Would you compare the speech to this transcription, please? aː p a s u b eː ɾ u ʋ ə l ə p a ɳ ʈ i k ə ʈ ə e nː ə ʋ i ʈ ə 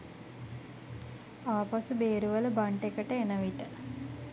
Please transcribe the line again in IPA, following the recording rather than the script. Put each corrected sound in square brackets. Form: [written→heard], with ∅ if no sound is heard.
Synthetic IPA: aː p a s u b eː ɾ u ʋ ə l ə [p→b] a ɳ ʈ [i→e] k ə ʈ ə e [nː→n] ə ʋ i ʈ ə